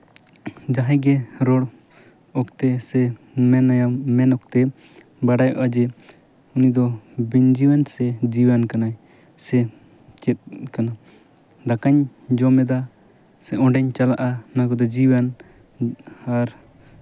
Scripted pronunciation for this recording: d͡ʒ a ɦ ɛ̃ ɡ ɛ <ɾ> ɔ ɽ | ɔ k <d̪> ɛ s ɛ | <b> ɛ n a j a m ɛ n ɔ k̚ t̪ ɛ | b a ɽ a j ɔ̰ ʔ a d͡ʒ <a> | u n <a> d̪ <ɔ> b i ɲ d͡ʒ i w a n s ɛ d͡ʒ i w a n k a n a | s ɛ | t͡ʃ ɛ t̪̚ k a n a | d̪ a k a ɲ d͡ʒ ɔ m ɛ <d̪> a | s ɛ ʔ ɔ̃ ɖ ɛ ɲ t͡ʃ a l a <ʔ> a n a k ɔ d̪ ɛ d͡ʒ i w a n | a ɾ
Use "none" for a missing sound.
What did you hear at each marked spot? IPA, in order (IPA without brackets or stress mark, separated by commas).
ɾ, t̪, m, ɛ, i, ɔ, d̪, ʔ